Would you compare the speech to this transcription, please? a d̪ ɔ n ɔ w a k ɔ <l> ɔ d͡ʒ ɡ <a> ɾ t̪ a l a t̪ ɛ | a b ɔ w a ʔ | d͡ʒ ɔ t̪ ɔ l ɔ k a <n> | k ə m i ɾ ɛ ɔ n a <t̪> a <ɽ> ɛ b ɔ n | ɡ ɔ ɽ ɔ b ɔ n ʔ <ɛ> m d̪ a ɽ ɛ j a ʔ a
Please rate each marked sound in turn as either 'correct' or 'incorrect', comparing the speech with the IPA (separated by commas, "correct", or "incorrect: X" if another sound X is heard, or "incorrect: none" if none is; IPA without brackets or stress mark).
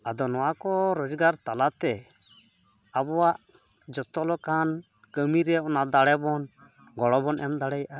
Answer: incorrect: ɾ, correct, correct, incorrect: d̪, correct, correct